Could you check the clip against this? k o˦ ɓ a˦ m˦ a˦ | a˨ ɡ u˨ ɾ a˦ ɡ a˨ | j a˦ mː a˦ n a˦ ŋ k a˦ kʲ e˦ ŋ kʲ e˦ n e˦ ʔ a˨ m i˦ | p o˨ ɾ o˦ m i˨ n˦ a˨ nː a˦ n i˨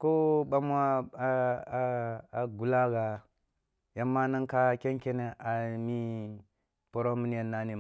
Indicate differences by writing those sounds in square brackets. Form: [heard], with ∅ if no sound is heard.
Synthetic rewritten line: k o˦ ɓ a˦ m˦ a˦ | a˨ ɡ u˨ [l] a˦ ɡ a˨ | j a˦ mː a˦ n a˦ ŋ k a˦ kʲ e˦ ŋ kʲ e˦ n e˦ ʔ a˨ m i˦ | p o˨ ɾ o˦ m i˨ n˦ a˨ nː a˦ n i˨